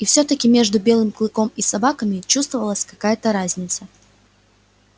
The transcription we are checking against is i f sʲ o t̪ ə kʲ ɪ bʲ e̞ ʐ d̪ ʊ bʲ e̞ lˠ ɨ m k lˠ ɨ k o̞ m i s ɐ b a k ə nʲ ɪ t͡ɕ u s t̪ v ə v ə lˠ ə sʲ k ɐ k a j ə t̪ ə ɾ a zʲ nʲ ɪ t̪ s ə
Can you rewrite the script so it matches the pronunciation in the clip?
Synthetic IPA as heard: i f sʲ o t̪ ə kʲ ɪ mʲ e̞ ʐ d̪ ʊ bʲ e̞ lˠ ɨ m k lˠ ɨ k o̞ m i s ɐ b a k ə mʲ ɪ t͡ɕ u s t̪ v ə v ə lˠ ə sʲ k ɐ k a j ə t̪ ə ɾ a zʲ nʲ ɪ t̪ s ə